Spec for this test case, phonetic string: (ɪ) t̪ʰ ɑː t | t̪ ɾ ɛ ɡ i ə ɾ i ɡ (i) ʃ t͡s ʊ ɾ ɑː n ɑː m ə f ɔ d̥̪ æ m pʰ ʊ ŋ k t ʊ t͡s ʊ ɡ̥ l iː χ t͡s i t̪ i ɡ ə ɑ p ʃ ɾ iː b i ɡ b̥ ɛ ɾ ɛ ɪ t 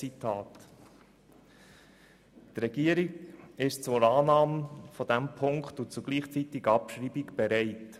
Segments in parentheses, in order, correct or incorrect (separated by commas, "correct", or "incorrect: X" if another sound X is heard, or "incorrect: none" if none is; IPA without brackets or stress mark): incorrect: i, incorrect: ɪ